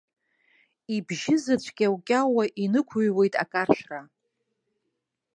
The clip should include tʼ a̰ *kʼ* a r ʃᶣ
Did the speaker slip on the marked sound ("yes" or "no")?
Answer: no